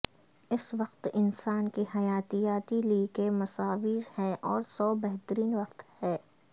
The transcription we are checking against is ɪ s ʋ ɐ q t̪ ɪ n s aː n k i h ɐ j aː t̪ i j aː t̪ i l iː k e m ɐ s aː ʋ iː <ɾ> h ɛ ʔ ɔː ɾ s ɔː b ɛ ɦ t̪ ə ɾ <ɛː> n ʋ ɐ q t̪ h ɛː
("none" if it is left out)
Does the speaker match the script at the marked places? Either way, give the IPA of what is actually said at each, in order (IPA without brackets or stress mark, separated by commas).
ɾ, iː